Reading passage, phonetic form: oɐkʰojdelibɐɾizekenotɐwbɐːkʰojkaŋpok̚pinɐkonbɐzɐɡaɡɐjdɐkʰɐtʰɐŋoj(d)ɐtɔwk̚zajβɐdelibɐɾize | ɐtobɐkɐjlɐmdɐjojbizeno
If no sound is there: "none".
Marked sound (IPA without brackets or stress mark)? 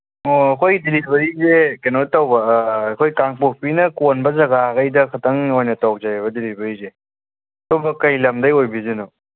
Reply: n